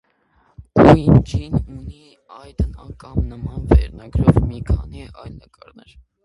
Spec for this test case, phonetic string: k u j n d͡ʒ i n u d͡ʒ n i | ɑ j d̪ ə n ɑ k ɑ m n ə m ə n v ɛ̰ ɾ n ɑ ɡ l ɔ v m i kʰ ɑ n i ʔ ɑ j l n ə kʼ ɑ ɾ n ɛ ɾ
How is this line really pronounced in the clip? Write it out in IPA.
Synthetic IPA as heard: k u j n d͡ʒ i n u n i | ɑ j d̪ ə n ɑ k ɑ m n ə m ɑ n v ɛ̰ ɾ n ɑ ɡ ɾ ɔ v m i kʰ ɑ n i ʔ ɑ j l n ə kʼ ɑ ɾ n ɛ ɾ